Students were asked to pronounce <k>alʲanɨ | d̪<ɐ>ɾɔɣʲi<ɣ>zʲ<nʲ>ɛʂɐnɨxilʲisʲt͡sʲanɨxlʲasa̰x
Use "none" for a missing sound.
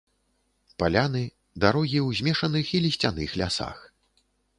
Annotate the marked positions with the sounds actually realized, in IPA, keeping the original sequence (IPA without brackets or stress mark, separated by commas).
p, a, w, mʲ